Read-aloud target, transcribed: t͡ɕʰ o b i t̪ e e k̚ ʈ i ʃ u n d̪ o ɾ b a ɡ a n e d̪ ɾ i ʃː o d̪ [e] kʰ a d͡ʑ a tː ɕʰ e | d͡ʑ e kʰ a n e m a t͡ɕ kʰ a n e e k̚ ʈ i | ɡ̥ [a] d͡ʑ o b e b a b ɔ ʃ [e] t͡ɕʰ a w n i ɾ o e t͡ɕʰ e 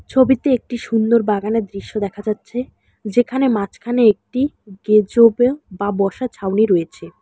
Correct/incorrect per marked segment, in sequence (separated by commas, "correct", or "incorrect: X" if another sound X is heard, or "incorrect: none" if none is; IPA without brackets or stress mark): incorrect: ɛ, incorrect: e, incorrect: a